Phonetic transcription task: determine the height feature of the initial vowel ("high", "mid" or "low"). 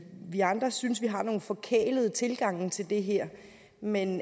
high